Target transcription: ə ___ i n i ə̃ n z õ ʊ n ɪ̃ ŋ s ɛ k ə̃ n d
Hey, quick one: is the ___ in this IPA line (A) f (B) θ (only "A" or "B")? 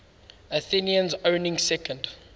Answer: B